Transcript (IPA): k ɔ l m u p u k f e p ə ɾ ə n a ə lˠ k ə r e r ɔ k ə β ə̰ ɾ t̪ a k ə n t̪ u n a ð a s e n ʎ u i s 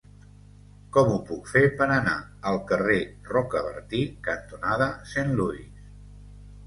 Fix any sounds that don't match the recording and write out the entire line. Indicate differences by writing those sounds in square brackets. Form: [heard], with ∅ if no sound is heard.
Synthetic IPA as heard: k ɔ [∅] m u p u k f e p ə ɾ ə n a ə lˠ k ə r e r ɔ k ə β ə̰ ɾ t̪ [i] k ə n t̪ u n a ð [ə] s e n [l] u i s